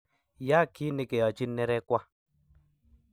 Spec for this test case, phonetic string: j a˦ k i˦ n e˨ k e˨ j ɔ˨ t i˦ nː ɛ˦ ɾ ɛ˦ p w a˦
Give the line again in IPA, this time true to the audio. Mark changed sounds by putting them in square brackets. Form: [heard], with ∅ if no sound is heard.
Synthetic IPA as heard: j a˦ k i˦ n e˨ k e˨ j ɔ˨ [t͡ʃ] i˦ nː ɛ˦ ɾ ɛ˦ [k] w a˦